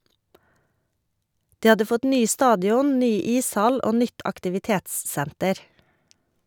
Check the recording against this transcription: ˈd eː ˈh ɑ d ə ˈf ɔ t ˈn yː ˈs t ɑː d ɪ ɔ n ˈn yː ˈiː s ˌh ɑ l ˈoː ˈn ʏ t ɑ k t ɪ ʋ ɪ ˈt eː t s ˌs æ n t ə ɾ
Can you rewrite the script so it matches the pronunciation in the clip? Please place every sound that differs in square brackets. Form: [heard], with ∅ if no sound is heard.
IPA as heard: ˈd [iː] ˈh ɑ d ə ˈf ɔ t ˈn yː ˈs t ɑː d ɪ ɔ n ˈn yː ˈiː s ˌh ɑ l ˈoː ˈn ʏ t ɑ k t ɪ ʋ ɪ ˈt eː t s ˌs æ n t ə ɾ